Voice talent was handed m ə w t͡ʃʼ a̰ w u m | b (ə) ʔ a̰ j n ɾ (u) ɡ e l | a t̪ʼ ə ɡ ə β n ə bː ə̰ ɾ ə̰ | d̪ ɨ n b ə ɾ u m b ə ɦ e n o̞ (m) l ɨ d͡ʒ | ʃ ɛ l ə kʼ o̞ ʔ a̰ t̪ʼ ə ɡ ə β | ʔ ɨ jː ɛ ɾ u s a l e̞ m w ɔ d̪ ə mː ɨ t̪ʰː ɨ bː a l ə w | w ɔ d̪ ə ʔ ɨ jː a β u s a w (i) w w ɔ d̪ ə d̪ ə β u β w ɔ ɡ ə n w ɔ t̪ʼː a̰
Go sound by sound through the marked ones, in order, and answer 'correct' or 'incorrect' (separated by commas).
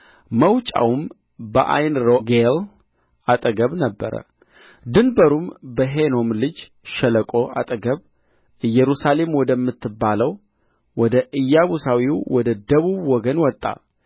correct, incorrect, correct, correct